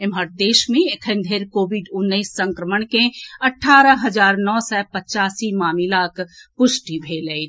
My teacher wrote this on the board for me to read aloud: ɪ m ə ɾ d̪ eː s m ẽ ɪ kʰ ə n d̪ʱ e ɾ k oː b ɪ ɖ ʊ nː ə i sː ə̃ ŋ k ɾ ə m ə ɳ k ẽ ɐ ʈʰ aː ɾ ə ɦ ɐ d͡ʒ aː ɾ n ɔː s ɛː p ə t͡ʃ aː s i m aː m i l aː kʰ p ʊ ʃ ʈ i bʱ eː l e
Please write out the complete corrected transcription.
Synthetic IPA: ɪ m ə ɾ d̪ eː ʃ m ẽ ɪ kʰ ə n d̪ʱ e ɾ k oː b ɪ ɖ ʊ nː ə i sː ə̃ ŋ k ɾ ə m ə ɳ k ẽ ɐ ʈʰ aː ɾ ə ɦ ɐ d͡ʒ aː ɾ n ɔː s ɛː p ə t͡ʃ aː s i m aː m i l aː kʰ p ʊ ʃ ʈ i bʱ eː l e

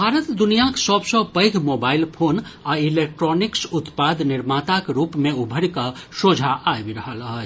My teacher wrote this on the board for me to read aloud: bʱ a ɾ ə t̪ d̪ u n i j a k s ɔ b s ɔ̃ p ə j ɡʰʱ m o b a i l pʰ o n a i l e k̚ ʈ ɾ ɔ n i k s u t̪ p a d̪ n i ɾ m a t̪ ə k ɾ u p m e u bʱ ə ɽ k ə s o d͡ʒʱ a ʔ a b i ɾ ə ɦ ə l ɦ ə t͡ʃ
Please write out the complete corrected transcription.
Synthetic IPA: bʱ a ɾ ə t̪ d̪ u n i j a k s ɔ b s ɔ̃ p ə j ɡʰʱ m o b a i l pʰ o n a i l e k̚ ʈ ɾ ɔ n i k s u t̪ p a d̪ n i ɾ m a t̪ a k ɾ u p m e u bʱ ə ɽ k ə s o d͡ʒʱ a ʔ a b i ɾ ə ɦ ə l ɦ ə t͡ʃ

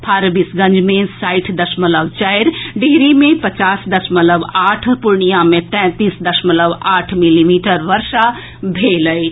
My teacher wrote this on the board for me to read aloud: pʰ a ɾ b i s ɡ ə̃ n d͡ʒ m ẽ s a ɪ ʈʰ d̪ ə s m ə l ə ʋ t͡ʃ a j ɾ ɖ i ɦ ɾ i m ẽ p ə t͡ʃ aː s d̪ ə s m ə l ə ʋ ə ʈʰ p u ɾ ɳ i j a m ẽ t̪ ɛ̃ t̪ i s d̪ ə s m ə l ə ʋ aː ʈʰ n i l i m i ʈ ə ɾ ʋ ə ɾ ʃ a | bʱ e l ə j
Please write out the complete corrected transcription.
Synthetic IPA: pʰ a ɾ b i s ɡ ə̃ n d͡ʒ m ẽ s a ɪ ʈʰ d̪ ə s m ə l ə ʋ t͡ʃ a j ɾ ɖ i ɦ ɾ i m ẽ p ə t͡ʃ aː s d̪ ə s m ə l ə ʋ a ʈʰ p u ɾ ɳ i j a m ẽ t̪ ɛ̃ t̪ i s d̪ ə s m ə l ə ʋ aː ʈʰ m i l i m i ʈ ə ɾ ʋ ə ɾ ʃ a | bʱ e l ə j

